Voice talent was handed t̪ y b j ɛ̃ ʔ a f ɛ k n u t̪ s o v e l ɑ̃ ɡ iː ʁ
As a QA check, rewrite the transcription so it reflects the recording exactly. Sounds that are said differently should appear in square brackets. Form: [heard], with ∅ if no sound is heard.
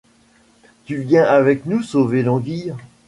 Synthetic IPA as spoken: t̪ y [v] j ɛ̃ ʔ a [v] ɛ k n u [∅] s o v e l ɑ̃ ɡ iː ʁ